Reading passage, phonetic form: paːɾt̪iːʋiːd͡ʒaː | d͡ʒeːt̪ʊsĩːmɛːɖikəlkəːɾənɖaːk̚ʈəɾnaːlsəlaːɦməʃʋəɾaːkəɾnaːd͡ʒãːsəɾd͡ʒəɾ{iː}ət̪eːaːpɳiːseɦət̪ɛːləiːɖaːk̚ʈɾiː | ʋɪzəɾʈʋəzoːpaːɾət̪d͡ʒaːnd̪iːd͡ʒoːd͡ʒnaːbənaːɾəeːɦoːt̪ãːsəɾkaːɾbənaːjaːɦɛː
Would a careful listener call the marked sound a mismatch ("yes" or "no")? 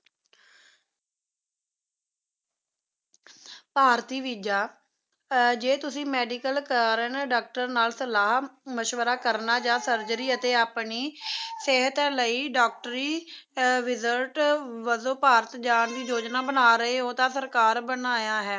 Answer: no